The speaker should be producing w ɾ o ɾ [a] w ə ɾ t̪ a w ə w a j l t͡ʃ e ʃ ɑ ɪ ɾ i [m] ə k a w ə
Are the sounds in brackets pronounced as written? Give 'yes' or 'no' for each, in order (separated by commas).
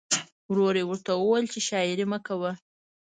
no, yes